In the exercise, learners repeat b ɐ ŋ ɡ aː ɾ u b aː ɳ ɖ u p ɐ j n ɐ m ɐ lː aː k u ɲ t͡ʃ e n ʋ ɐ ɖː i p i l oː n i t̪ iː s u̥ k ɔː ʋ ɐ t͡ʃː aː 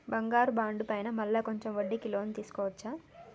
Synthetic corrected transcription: b ɐ ŋ ɡ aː ɾ u b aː ɳ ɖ u p ɐ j n ɐ m ɐ lː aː k o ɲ t͡ʃ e m ʋ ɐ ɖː i k i l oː n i t̪ iː s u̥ k ɔː ʋ ɐ t͡ʃː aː